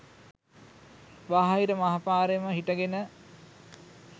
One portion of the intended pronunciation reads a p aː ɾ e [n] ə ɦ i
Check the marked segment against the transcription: incorrect: m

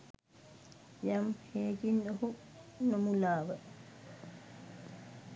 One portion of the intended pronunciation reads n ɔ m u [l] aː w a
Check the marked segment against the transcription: correct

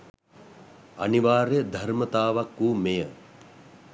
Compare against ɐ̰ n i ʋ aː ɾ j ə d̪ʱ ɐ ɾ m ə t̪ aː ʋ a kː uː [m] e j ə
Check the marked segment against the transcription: correct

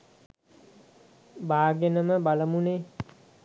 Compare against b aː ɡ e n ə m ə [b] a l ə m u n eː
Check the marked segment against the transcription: correct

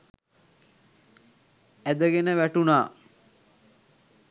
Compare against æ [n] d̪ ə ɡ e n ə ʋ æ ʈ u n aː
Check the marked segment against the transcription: incorrect: none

